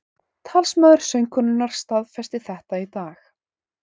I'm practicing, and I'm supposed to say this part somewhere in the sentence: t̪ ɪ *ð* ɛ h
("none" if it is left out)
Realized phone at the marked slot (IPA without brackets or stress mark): θ